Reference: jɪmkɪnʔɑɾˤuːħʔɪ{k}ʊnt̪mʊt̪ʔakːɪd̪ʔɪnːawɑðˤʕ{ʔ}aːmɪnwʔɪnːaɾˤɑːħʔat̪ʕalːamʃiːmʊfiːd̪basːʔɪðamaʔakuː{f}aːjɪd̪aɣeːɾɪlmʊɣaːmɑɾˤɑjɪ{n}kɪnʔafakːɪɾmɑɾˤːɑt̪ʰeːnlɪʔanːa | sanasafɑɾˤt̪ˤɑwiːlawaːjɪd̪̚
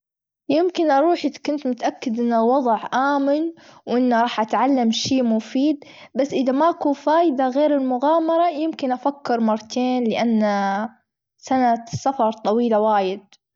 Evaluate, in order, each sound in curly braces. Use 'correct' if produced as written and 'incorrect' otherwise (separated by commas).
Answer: correct, correct, correct, incorrect